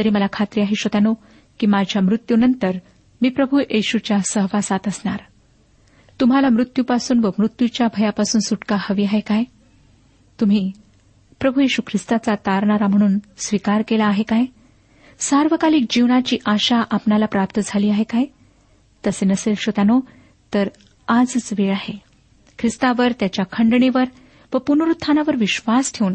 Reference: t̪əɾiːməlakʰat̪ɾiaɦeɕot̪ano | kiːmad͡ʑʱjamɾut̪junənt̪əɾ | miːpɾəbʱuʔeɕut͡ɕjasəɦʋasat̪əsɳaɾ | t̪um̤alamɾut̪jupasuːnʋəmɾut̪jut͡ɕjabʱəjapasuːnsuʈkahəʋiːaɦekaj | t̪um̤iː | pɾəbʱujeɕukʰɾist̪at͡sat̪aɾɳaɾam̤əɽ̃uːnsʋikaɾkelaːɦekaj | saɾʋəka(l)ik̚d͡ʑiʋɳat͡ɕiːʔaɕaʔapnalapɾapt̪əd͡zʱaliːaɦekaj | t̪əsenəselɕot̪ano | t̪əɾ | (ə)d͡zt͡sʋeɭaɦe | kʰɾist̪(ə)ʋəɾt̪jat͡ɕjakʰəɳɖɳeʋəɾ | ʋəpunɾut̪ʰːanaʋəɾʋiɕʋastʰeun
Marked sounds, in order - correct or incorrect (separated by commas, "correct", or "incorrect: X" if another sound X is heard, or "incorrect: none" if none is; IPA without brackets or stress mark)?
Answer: correct, incorrect: a, incorrect: a